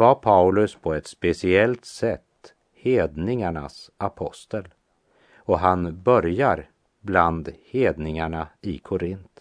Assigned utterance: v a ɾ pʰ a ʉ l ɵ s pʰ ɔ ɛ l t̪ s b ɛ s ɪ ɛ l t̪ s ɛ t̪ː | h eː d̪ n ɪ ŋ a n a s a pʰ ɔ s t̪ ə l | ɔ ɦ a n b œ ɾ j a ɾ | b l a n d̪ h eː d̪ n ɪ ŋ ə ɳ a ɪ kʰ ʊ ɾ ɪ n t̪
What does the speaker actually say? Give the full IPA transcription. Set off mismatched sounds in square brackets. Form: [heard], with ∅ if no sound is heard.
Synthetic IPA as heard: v a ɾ pʰ a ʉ l ɵ s pʰ ɔ ɛ [∅] t̪ s [p] ɛ s ɪ ɛ l t̪ s ɛ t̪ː | h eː d̪ n ɪ ŋ a [ɳ] a s a pʰ ɔ s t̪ ə l | ɔ ɦ a n b œ ɾ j a ɾ | b l a n d̪ h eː d̪ n ɪ ŋ [a] ɳ a ɪ kʰ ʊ ɾ ɪ n t̪